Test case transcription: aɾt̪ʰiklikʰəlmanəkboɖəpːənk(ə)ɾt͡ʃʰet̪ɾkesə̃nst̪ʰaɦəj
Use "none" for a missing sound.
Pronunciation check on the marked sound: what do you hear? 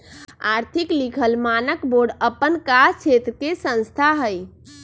a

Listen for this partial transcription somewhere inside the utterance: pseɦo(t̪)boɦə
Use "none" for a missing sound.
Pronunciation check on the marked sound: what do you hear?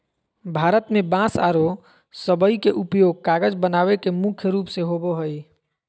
none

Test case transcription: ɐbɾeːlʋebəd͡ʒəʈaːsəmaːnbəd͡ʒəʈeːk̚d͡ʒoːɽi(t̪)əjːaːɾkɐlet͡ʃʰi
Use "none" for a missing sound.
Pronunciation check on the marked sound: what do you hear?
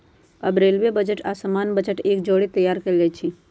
t̪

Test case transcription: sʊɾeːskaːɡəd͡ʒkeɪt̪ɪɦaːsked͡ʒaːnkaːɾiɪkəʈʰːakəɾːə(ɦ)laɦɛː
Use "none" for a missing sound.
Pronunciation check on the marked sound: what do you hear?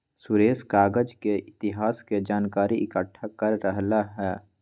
ɦ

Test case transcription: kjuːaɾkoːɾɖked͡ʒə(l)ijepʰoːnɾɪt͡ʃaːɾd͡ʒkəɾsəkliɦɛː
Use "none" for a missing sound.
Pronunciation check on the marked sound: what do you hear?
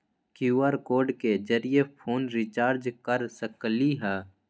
ɾ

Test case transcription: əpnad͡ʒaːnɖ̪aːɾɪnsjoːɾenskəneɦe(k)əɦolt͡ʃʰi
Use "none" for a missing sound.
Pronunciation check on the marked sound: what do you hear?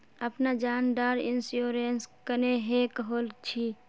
k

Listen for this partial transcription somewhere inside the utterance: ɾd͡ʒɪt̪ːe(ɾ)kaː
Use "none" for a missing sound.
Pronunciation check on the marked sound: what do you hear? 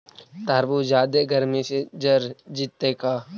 none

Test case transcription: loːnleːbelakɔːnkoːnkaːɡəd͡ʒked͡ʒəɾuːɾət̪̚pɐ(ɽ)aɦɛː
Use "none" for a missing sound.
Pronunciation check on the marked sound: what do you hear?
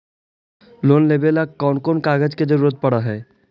ɽ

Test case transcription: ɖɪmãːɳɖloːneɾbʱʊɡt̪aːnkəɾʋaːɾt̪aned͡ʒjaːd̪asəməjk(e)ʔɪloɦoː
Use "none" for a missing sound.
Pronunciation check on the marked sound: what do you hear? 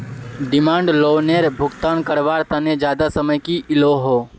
i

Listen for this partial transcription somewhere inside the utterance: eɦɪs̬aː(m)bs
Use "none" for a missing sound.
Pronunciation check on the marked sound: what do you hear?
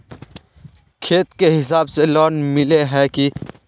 none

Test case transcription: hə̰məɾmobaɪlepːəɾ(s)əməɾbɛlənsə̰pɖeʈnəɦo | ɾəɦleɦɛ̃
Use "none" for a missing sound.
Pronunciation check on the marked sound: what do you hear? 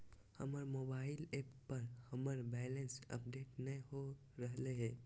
h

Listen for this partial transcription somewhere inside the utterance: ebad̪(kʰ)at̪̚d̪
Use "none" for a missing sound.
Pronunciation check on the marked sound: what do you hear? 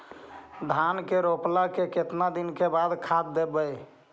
kʰ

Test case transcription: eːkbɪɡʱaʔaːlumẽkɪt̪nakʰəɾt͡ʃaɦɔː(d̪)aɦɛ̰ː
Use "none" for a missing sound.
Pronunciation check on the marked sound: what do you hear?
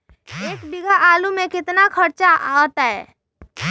t̪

